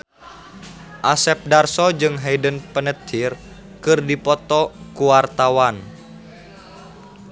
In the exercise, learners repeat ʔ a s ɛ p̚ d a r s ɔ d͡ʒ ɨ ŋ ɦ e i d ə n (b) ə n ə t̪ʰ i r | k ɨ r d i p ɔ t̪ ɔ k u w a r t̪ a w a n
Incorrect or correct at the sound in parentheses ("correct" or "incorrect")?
incorrect